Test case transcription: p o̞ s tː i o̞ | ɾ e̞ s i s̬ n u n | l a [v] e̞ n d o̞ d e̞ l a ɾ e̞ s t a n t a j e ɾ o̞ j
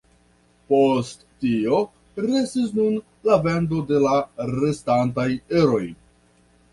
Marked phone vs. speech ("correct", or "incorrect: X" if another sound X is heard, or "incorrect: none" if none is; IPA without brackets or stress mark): correct